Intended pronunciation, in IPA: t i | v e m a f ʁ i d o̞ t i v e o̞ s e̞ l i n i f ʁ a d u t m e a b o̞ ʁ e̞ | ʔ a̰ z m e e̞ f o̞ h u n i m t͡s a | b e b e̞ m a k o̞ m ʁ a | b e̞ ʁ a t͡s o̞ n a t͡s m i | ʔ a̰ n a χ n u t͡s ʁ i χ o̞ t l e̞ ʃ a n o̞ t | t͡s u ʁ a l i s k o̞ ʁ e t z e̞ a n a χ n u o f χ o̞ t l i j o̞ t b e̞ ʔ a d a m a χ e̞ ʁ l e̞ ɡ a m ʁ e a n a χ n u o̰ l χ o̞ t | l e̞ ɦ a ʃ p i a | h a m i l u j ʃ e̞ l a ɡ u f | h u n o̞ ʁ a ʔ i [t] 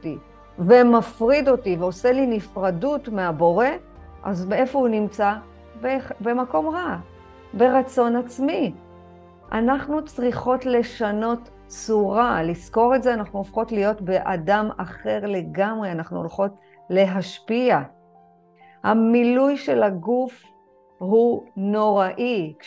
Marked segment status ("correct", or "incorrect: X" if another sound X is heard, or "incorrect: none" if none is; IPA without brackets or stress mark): incorrect: k